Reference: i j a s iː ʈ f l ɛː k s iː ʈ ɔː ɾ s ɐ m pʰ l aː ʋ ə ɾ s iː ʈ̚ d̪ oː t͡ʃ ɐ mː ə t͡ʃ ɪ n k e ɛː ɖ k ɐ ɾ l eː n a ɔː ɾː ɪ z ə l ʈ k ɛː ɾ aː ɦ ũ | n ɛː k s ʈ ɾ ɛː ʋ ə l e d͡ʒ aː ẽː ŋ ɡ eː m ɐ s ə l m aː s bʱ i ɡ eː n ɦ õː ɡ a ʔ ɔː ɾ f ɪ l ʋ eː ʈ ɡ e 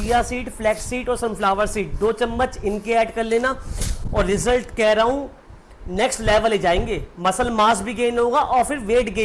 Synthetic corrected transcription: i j a s iː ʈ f l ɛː k s iː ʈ ɔː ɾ s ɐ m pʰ l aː ʋ ə ɾ s iː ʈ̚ d̪ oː t͡ʃ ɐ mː ə t͡ʃ ɪ n k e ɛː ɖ k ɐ ɾ l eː n a ɔː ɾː ɪ z ə l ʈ k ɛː ɾ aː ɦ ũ | n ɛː k s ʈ l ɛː ʋ ə l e d͡ʒ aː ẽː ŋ ɡ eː m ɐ s ə l m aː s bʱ i ɡ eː n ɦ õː ɡ a ʔ ɔː ɾ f ɪ ɾ ʋ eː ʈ ɡ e